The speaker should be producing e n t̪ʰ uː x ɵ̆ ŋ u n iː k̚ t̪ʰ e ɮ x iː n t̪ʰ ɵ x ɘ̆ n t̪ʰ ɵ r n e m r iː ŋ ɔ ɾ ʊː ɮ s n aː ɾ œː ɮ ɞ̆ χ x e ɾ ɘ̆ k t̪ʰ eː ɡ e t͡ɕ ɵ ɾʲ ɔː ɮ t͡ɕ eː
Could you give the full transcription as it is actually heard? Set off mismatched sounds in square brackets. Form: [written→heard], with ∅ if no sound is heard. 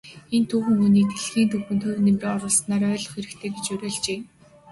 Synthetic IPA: e n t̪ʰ uː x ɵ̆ ŋ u n iː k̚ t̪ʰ e ɮ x iː n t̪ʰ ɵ x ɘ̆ n t̪ʰ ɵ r n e m r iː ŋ ɔ ɾ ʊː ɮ s n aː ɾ œː ɮ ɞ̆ χ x e ɾ ɘ̆ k t̪ʰ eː ɡ e t͡ɕ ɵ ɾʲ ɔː ɮ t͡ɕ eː